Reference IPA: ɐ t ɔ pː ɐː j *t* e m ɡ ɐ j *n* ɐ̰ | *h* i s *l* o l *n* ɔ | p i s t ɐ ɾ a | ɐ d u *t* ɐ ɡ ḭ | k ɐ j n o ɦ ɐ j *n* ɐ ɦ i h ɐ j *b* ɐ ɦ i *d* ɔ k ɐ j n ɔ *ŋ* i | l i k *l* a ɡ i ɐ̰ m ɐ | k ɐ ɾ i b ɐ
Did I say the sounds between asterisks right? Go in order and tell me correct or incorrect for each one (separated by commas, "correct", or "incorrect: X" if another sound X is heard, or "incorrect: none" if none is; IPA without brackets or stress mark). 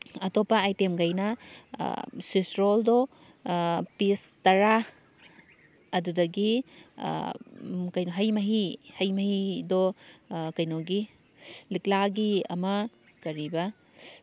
correct, correct, incorrect: s, incorrect: ɾ, incorrect: d, incorrect: d, incorrect: m, incorrect: m, correct, incorrect: ɡ, correct